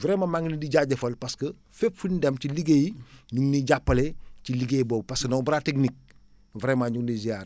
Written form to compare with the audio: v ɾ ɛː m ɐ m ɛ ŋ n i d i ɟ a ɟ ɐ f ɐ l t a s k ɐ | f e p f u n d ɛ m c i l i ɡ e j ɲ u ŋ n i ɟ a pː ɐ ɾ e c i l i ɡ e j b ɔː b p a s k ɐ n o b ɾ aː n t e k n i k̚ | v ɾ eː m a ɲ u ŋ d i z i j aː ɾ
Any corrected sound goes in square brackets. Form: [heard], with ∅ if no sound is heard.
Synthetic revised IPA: v ɾ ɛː m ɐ m [a] ŋ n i d i ɟ a ɟ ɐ f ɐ l [p] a s k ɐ | f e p f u n d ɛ m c i l i ɡ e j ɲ u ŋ n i ɟ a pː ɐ [l] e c i l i ɡ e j b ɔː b p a s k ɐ n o b ɾ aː [∅] t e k n i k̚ | v ɾ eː m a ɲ u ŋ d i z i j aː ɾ